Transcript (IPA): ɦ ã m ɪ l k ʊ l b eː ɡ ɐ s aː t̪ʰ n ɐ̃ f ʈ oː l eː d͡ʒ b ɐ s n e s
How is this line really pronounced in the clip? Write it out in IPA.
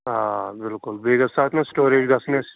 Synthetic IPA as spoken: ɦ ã b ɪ l k ʊ l b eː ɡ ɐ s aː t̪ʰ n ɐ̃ s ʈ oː ɾ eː d͡ʒ ɡ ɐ s n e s